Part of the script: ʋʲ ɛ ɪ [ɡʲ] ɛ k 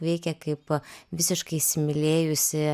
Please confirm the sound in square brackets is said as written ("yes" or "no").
no